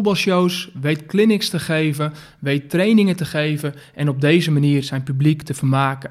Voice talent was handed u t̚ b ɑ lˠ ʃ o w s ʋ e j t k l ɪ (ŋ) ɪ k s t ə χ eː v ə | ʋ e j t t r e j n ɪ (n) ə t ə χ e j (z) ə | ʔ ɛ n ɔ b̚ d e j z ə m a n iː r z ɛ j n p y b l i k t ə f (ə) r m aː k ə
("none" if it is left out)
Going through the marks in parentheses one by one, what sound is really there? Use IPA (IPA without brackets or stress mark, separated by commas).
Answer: n, ŋ, v, ə